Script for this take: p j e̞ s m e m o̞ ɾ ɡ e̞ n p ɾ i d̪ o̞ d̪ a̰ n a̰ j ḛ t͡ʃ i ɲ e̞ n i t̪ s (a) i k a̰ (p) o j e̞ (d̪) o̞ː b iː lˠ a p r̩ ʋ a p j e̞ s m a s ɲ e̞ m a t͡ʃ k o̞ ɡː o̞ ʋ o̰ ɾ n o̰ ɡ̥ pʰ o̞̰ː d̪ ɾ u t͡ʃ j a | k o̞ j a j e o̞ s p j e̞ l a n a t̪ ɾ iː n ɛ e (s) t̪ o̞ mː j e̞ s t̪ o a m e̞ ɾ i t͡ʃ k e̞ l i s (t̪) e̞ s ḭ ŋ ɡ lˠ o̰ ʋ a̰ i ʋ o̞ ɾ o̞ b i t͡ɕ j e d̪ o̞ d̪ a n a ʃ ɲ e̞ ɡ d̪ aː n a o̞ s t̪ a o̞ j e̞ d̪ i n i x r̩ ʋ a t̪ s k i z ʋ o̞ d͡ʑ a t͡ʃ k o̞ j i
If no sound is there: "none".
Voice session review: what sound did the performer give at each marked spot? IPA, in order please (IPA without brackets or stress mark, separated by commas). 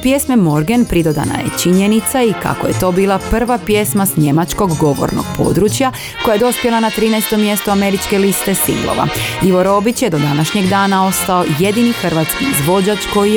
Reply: a, k, t̪, s, t̪